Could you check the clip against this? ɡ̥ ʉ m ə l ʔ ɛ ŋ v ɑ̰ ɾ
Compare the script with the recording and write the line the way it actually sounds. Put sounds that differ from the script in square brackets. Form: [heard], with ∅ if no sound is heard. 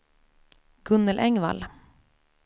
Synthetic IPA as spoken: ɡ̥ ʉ [n] ə l ʔ ɛ ŋ [ʋ] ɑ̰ [l]